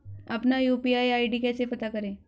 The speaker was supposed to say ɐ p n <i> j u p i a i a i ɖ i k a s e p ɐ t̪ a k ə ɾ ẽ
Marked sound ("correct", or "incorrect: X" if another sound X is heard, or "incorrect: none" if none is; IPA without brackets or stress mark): incorrect: a